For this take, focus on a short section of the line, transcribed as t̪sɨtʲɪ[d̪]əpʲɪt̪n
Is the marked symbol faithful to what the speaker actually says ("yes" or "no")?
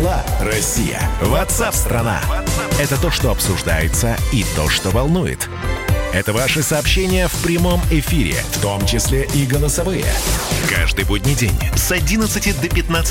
yes